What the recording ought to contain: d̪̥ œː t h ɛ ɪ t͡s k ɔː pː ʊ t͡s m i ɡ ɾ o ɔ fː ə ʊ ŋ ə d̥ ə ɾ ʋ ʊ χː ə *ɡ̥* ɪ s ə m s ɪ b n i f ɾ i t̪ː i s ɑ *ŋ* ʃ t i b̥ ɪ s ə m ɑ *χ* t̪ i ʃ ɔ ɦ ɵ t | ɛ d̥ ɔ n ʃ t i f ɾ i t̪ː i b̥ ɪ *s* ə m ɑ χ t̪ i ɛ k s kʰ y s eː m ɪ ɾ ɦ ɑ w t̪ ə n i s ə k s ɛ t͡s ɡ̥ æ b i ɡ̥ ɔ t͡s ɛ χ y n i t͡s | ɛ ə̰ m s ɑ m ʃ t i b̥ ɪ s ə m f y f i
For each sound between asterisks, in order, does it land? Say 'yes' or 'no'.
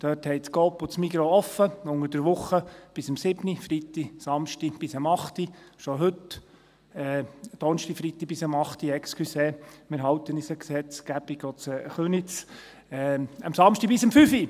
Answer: no, no, yes, yes

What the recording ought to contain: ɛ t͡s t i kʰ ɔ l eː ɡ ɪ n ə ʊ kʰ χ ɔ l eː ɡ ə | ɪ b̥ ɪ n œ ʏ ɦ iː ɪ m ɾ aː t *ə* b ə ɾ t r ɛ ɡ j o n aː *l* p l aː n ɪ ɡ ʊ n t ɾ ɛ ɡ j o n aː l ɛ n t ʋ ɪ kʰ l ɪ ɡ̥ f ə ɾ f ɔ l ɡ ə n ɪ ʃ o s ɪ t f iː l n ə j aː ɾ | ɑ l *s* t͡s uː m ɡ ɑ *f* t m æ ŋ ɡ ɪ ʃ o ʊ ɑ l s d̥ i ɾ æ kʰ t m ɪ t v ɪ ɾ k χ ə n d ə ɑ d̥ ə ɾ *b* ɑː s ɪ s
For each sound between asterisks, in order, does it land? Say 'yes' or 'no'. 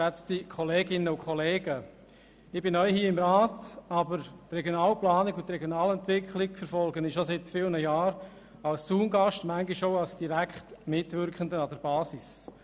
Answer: no, yes, yes, no, yes

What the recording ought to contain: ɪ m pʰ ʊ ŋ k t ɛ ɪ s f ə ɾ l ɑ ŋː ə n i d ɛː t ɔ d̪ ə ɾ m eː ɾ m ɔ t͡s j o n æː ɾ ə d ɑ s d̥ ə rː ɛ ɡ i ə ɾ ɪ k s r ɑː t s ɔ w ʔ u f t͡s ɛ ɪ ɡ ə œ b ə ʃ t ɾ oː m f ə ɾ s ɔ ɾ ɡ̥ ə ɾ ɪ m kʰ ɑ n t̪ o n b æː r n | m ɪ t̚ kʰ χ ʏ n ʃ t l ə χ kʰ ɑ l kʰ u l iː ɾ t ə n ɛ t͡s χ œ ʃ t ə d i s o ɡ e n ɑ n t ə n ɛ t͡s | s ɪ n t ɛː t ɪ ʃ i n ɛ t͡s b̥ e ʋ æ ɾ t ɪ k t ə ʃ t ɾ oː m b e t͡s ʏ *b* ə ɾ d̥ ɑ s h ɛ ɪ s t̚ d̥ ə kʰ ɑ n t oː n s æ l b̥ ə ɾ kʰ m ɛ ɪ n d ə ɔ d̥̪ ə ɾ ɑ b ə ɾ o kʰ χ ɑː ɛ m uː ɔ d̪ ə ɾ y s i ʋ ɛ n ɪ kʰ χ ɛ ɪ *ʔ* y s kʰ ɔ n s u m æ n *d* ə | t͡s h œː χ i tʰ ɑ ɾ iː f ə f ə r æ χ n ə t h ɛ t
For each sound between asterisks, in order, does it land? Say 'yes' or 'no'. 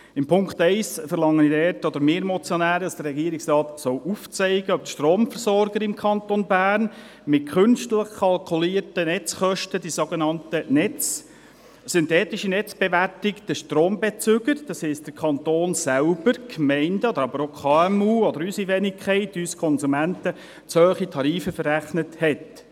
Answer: no, no, no

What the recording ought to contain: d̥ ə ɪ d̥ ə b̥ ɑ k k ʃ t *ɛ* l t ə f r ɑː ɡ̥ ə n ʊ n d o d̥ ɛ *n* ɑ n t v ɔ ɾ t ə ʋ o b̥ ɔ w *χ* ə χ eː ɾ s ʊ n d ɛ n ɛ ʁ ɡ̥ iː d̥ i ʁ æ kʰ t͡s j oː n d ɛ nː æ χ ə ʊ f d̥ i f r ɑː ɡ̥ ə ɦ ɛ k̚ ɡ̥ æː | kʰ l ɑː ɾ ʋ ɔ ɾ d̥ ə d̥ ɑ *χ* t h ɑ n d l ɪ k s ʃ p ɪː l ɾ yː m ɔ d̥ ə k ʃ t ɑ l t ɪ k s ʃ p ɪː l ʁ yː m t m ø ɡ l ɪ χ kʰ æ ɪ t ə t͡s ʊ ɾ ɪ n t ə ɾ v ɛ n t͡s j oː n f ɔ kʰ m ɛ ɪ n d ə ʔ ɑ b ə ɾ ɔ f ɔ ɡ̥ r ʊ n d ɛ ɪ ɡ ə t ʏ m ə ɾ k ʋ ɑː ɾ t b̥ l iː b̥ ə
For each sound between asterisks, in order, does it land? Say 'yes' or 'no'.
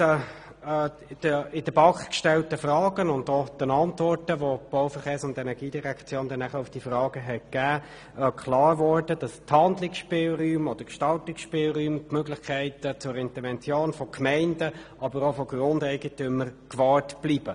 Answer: yes, yes, no, no

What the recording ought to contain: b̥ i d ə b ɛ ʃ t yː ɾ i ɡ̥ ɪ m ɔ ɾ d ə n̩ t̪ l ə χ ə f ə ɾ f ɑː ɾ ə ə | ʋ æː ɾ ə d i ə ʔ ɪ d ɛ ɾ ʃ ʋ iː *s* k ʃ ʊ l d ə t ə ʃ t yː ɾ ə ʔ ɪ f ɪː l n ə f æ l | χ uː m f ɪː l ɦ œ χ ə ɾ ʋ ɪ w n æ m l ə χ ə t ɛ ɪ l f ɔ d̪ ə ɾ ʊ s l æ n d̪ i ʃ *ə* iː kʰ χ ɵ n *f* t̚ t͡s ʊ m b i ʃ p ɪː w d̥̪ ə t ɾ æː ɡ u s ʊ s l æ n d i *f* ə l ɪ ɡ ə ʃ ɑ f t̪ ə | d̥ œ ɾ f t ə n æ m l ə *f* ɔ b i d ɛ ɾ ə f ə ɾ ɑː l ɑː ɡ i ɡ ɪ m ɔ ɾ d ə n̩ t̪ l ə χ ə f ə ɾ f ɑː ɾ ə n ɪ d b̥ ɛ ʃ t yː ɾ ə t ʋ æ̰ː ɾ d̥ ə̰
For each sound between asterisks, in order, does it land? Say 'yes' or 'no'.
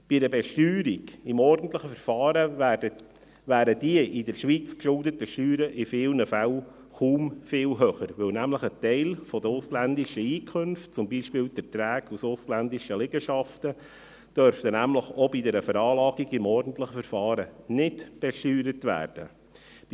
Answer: no, yes, yes, no, no

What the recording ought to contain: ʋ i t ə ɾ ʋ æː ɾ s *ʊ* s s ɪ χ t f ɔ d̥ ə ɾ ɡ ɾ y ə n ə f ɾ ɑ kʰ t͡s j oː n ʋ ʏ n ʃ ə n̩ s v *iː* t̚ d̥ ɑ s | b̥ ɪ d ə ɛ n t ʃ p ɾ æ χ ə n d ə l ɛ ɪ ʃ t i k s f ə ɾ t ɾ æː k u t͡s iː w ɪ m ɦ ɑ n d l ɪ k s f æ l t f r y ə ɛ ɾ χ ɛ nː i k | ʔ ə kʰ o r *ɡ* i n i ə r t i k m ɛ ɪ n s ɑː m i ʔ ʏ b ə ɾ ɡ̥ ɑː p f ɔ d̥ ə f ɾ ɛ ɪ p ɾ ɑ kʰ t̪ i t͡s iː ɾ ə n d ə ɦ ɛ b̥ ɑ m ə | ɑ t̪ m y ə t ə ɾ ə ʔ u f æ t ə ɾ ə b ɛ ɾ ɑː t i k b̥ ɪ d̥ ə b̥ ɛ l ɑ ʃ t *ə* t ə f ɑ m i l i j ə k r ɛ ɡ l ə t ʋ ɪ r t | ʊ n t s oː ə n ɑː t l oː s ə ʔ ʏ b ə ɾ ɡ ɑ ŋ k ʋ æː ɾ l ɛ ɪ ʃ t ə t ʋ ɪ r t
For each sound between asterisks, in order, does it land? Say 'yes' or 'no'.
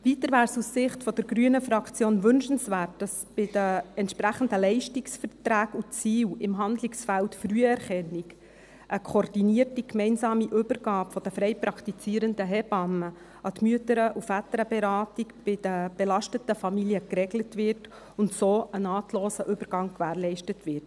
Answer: no, no, no, yes

